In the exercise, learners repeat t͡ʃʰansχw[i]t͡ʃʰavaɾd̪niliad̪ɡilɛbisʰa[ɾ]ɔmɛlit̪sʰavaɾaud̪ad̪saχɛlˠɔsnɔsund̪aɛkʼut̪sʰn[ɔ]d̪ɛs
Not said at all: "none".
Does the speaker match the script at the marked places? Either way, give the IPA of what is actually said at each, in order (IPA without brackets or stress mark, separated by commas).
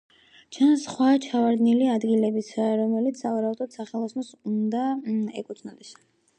a, ɾ, ɔ